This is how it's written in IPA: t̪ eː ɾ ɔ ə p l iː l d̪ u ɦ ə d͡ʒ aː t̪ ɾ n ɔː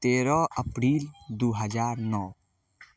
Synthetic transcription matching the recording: t̪ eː ɾ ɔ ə p ɾ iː l d̪ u ɦ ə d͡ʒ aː ɾ n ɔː